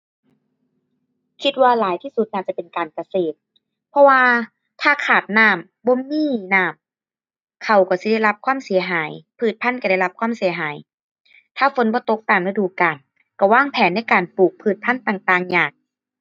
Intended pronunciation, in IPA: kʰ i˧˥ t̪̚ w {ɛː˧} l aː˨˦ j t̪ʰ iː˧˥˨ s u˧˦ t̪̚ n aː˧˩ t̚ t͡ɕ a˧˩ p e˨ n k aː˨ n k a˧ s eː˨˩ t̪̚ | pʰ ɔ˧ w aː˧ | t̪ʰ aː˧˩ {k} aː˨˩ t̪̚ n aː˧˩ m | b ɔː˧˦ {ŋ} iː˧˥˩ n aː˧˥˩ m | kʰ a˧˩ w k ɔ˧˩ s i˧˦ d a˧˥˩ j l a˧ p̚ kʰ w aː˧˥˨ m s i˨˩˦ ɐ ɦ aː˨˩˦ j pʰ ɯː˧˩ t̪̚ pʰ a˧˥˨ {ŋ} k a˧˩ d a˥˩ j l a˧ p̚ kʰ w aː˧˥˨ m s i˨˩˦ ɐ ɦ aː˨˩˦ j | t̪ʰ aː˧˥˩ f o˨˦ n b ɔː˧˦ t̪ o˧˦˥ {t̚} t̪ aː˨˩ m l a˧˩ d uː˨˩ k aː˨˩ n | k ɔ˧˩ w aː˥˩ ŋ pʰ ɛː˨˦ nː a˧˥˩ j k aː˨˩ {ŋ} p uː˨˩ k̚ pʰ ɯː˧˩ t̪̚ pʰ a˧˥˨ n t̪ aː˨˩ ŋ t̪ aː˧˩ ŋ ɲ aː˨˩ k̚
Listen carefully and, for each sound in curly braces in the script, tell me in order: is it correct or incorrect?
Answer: incorrect: aː˧, incorrect: kʰ, incorrect: m, incorrect: n, incorrect: k̚, incorrect: n

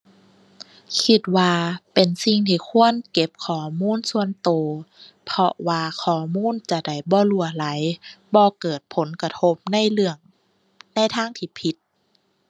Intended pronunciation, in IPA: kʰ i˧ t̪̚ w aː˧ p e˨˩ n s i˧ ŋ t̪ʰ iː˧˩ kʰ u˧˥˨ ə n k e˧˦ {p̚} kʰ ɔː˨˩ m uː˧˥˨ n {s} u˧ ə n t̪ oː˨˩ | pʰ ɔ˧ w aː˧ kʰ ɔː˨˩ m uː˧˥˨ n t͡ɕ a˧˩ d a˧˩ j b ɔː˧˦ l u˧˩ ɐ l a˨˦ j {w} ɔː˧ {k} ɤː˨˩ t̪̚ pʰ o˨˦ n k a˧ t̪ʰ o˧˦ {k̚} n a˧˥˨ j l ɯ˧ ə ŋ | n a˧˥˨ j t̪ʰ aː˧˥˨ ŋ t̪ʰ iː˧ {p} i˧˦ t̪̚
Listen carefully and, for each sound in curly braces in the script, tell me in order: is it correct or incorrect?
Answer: correct, correct, incorrect: b, correct, incorrect: p̚, incorrect: pʰ

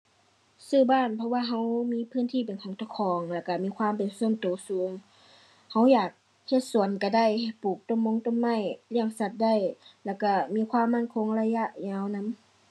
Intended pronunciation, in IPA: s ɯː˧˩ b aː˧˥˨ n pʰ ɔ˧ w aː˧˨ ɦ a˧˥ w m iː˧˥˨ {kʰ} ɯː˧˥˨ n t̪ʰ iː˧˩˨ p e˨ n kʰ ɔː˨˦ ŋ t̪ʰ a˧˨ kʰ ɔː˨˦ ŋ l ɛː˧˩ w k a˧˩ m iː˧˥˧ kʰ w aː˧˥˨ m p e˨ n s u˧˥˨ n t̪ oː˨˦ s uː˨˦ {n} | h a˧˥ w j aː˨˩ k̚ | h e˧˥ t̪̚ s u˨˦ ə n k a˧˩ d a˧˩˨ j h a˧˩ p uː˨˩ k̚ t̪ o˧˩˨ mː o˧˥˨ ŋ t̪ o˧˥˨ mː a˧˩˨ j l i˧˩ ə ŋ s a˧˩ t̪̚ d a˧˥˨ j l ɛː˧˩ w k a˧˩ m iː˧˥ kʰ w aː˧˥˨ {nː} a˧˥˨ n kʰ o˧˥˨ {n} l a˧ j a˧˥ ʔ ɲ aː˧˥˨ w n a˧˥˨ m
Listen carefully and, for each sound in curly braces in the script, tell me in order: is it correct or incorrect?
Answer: incorrect: pʰ, incorrect: ŋ, incorrect: mː, incorrect: ŋ

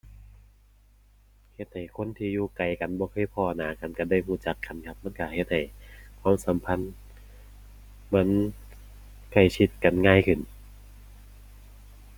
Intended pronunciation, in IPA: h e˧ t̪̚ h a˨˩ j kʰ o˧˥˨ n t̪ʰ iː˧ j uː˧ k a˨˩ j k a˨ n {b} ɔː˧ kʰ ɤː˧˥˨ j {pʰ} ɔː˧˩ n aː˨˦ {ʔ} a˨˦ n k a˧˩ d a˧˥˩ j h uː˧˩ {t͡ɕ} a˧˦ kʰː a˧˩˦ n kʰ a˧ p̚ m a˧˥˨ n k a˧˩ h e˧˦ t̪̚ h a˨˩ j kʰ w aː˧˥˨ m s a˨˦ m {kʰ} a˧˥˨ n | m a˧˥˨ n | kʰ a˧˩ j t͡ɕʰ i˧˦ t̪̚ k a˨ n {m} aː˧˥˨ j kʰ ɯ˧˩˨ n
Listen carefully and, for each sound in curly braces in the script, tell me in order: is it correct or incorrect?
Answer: correct, correct, incorrect: k, correct, incorrect: pʰ, incorrect: ŋ

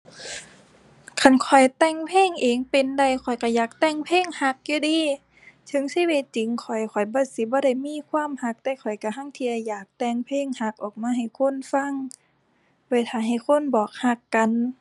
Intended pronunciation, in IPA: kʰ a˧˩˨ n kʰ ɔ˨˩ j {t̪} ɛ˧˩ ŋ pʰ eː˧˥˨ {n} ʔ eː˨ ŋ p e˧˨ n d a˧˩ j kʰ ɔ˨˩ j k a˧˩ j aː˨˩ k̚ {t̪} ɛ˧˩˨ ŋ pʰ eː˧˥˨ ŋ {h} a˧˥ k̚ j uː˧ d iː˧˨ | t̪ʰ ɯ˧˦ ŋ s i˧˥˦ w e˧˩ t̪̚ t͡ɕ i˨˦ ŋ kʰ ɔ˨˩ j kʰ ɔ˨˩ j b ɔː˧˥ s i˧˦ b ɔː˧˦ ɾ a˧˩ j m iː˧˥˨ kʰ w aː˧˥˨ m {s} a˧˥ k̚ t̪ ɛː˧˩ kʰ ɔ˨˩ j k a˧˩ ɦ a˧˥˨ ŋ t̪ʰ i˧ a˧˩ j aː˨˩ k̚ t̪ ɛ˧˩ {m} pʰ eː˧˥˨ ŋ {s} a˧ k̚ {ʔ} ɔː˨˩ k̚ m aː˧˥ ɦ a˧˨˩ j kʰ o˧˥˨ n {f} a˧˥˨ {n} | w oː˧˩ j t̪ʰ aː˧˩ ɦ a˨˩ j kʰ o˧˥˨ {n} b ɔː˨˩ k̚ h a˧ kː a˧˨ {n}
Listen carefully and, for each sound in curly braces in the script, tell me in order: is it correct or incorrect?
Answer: correct, incorrect: ŋ, correct, correct, incorrect: h, incorrect: ŋ, incorrect: h, correct, correct, incorrect: ŋ, correct, correct

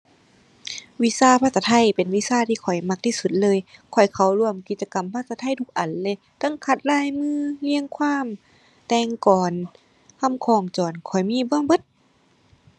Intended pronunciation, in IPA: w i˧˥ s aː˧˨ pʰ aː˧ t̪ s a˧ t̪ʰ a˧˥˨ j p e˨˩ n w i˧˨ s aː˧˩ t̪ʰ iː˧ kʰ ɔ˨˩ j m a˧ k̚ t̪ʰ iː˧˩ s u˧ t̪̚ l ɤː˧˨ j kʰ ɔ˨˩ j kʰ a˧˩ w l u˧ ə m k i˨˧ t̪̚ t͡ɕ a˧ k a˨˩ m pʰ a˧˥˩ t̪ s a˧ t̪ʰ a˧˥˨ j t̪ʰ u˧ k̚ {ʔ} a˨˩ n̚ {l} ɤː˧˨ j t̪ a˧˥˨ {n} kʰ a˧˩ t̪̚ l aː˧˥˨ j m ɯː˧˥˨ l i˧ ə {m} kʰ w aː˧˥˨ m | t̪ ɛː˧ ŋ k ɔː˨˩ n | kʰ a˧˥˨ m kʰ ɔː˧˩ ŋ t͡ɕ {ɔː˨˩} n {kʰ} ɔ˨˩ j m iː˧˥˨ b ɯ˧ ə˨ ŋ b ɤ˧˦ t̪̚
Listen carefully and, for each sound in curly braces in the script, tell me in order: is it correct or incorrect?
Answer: correct, correct, incorrect: ŋ, incorrect: ŋ, correct, correct

